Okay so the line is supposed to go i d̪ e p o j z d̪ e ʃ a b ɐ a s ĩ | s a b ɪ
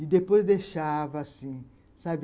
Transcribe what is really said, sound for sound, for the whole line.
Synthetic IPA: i d̪ e p o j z d̪ e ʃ a v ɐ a s ĩ | s a b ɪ